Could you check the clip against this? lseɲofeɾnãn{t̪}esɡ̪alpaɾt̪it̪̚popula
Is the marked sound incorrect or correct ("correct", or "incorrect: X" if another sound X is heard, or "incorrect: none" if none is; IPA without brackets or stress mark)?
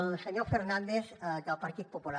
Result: incorrect: d̪